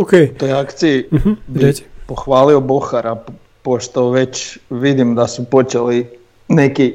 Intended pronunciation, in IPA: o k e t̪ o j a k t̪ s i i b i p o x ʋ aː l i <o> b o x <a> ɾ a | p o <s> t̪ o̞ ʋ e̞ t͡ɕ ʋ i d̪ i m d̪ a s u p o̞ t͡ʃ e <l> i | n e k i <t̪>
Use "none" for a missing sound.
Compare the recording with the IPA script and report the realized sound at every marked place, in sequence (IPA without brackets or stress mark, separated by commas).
o, a, ʃ, l, none